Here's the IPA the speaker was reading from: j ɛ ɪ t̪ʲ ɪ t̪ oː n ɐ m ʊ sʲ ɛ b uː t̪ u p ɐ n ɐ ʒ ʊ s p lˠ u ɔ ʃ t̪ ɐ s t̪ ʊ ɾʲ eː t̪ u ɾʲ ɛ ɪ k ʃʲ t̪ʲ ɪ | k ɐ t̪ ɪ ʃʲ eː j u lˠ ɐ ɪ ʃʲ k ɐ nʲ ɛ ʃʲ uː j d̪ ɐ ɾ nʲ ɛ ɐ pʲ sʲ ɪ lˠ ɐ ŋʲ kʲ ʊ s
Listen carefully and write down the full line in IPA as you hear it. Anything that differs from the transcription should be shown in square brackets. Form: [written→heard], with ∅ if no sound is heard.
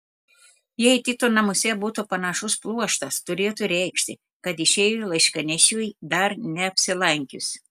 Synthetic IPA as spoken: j ɛ ɪ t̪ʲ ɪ t̪ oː n ɐ m ʊ sʲ ɛ b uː t̪ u p ɐ n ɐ [ʒ→ʃ] ʊ s p lˠ u ɔ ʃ t̪ ɐ s t̪ ʊ ɾʲ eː t̪ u ɾʲ ɛ ɪ k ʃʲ t̪ʲ ɪ | k ɐ t̪ ɪ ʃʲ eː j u lˠ ɐ ɪ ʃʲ k ɐ nʲ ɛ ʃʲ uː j d̪ ɐ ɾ nʲ ɛ ɐ pʲ sʲ ɪ lˠ ɐ ŋʲ kʲ ʊ s